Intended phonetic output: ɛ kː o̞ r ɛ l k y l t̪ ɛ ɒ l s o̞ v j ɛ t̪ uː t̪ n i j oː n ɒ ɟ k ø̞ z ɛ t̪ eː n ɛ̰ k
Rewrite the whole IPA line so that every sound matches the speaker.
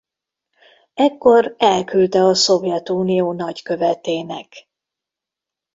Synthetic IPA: ɛ kː o̞ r ɛ l k y l t̪ ɛ ɒ s o̞ v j ɛ t̪ uː n i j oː n ɒ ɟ k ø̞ v ɛ t̪ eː n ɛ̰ k